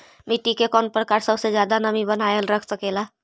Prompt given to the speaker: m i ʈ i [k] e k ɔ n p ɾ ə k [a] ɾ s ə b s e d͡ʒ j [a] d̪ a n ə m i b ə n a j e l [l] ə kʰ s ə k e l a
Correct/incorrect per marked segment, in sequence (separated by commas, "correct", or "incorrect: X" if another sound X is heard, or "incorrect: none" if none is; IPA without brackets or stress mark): correct, correct, correct, incorrect: ɾ